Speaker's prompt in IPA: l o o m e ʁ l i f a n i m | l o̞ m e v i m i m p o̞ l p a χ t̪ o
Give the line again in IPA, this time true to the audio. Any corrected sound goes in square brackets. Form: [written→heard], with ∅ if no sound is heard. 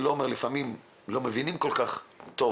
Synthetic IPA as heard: l o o m e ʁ l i f a [n→m] i m | l o̞ m e v i [m→n] i m [p→k] o̞ l [p→k] a χ t̪ o